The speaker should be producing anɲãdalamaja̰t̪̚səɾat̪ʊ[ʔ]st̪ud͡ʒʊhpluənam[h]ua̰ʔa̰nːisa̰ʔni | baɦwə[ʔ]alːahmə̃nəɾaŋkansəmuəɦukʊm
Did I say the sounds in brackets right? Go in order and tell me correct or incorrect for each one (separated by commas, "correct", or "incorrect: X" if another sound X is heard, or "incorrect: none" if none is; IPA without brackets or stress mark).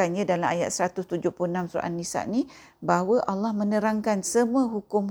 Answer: incorrect: none, incorrect: s, correct